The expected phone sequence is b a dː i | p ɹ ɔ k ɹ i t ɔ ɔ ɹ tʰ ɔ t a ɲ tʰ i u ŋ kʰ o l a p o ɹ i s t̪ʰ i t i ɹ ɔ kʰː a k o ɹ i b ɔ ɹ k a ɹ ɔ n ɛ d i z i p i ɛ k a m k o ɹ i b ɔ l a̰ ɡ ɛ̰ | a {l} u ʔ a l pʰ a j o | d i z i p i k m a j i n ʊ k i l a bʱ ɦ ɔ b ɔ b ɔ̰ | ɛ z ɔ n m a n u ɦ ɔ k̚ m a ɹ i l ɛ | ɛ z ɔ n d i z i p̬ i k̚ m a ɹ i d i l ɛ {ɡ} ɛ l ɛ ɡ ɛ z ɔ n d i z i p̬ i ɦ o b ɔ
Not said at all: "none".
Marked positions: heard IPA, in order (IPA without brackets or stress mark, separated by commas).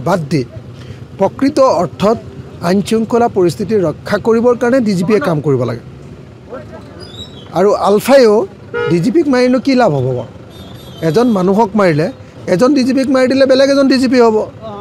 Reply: ɹ, b